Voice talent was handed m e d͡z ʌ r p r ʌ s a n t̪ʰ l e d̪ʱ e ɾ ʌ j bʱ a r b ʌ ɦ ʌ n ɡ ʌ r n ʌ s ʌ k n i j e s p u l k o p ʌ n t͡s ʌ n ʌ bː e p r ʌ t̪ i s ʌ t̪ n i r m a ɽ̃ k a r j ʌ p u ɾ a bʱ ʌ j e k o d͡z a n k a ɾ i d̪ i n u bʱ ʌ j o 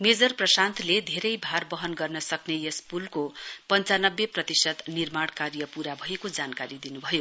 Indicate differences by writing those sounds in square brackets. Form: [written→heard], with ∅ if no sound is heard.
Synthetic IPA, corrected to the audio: m e d͡z ʌ r p r ʌ s a n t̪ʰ l e d̪ʱ e ɾ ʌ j bʱ a r b ʌ ɦ ʌ n ɡ ʌ r n ʌ s ʌ k n [i→e] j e s p u l k o p ʌ n t͡s [ʌ→a] n ʌ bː e p r ʌ t̪ i s ʌ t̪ n i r m a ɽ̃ k a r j ʌ p u ɾ a bʱ ʌ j e k o d͡z a n k a ɾ i d̪ i n u bʱ ʌ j o